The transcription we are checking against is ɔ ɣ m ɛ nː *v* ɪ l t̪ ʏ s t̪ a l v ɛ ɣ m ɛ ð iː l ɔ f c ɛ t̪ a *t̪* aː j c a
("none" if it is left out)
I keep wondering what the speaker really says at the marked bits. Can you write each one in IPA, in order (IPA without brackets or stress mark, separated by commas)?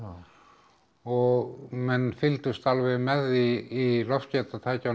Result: f, t̪ʰ